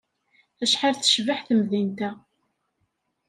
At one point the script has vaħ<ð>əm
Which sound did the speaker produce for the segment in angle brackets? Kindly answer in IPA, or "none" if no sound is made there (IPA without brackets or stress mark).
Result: θ